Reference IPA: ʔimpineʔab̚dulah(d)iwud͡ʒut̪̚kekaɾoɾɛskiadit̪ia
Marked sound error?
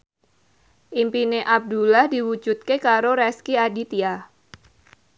no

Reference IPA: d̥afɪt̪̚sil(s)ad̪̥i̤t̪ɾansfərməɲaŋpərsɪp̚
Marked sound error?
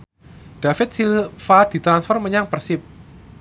yes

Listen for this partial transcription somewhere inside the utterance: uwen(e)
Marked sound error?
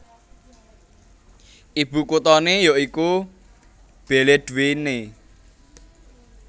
no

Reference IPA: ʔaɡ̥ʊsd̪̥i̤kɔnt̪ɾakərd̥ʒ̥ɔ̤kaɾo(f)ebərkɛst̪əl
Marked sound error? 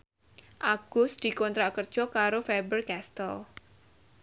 no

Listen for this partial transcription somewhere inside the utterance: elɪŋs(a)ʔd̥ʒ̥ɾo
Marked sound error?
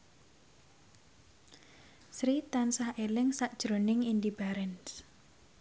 no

